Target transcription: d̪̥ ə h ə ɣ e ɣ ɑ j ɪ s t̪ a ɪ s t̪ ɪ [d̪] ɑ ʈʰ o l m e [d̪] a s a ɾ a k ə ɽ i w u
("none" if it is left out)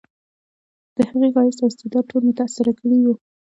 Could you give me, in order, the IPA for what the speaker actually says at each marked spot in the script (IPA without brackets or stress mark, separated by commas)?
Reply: d̪, t̪